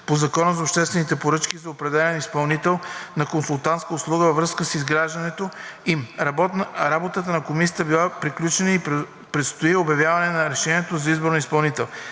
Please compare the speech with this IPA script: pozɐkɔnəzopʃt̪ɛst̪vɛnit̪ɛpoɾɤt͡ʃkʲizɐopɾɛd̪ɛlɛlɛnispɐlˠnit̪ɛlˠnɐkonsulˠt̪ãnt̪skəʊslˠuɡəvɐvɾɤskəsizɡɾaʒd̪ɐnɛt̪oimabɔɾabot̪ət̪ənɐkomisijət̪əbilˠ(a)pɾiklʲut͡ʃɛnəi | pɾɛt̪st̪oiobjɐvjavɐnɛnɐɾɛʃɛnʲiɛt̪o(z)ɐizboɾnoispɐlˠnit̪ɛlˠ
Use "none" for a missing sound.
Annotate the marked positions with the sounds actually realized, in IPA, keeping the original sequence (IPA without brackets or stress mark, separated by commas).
a, z